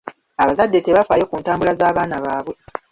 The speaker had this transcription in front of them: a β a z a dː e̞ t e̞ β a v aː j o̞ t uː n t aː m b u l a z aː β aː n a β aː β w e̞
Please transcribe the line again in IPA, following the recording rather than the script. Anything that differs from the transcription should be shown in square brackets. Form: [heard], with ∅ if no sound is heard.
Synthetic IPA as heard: a β a z a dː e̞ t e̞ β a [f] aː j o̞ [k] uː n t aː m b u l a z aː β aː n a β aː β w e̞